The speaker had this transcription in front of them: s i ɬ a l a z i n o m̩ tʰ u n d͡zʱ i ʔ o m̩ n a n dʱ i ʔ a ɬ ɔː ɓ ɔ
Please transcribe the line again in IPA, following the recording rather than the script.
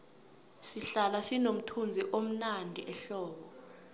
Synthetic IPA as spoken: s i ɬ a l a s i n o m̩ tʰ u n d͡zʱ i ʔ o m̩ n a n dʱ i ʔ ɛ ɬ ɔː ɓ ɔ

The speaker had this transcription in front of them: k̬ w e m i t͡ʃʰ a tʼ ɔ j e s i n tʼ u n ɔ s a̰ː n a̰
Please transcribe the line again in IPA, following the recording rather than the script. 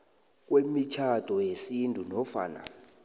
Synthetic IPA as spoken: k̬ w e m i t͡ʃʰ a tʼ ɔ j e s i n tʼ u n ɔ f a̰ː n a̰

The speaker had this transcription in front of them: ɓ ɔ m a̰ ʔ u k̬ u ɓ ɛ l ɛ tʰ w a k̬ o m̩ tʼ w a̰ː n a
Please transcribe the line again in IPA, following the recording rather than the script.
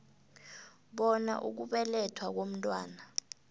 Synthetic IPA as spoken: ɓ ɔ n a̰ ʔ u k̬ u ɓ ɛ l ɛ tʰ w a k̬ o m̩ tʼ w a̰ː n a

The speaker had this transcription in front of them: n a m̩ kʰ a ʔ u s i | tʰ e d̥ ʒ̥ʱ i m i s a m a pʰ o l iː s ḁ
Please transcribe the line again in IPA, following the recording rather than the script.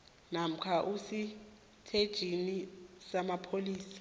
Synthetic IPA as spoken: n a m̩ kʰ a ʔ u s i | tʰ e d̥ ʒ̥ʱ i n i s a m a pʰ o l iː s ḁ

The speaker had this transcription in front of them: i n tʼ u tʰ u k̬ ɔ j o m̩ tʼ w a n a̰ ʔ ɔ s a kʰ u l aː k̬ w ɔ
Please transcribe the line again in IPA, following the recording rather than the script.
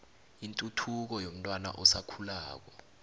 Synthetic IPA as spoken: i n tʼ u tʰ u k̬ ɔ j o m̩ tʼ w a n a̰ ʔ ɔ s a kʰ u l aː k̬ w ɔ

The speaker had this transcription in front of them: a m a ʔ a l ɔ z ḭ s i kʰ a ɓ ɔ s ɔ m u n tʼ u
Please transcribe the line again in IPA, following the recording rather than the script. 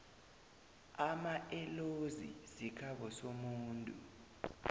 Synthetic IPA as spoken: a m a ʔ ɛ l o z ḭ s i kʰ a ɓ ɔ s o m uː n tʼ u

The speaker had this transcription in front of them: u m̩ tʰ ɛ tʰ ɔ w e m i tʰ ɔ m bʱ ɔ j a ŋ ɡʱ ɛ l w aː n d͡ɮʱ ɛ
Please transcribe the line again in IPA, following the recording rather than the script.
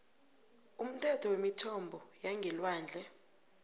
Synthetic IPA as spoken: u m̩ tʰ ɛ tʰ ɔ w e m i tʰ ɔ m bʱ ɔ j a ŋ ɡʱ ɛ l w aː n d͡ɮʱ ɛ

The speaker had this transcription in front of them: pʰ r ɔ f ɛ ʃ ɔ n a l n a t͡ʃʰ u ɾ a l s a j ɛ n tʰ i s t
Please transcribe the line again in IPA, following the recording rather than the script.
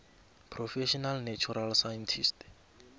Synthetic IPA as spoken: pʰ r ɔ f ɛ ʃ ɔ n a l n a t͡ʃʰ u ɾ a l s a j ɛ n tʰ i s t

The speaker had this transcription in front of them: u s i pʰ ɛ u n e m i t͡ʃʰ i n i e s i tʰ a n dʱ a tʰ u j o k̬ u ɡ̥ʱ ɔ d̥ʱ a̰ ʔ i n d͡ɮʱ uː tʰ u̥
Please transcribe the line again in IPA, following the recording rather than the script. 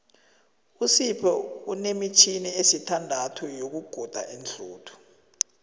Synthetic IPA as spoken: u s i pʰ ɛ u n e m i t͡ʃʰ i n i e s i tʰ a n dʱ a tʰ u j o k̬ u ɡ̥ʱ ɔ d̥ʱ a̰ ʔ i n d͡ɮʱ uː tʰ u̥

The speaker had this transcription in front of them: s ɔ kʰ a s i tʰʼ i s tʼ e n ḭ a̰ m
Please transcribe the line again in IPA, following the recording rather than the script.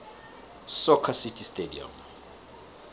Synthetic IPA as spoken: s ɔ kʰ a s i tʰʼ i s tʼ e d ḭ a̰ m

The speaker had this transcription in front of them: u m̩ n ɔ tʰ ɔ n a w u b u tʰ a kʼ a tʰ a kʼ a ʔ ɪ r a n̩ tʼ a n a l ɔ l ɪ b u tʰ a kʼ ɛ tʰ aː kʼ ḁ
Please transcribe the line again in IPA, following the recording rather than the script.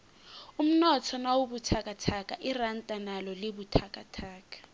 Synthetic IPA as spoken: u m̩ n ɔ tʰ ɔ n a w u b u tʰ a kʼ a tʰ a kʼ a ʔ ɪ r a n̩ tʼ a n a l ɔ l ɪ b u tʰ a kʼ a tʰ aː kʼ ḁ

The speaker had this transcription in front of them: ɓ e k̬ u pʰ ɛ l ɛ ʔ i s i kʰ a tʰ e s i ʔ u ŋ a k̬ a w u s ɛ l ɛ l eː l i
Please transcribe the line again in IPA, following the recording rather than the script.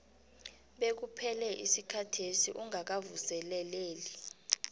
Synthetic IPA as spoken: ɓ e k̬ u pʰ ɛ l ɛ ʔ i s i kʰ a tʰ e s i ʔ u ŋ a k̬ a v u s ɛ l ɛ l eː l i

